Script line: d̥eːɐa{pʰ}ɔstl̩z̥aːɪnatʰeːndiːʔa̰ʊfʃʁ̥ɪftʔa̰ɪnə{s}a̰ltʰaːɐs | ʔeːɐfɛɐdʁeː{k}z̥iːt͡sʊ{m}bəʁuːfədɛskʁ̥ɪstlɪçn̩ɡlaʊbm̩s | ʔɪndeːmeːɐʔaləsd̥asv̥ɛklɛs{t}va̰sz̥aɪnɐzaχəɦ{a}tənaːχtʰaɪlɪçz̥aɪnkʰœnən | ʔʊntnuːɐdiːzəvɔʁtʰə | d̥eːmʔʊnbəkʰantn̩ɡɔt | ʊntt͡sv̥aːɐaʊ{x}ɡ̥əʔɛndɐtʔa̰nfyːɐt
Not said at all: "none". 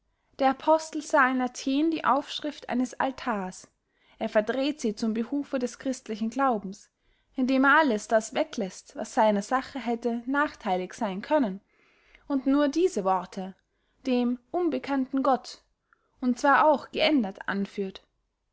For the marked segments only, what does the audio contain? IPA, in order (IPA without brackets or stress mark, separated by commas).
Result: pʰ, s, t, m, t, ɛ, x